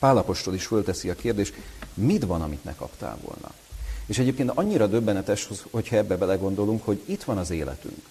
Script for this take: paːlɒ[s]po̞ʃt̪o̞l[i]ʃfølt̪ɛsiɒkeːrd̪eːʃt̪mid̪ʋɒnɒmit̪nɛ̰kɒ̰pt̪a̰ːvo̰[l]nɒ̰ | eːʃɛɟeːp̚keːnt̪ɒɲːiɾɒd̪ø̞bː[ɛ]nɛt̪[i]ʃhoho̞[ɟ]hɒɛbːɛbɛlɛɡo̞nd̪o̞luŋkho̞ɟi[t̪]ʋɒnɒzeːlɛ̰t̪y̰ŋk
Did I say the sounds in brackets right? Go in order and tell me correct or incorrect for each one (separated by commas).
incorrect, correct, correct, correct, incorrect, incorrect, correct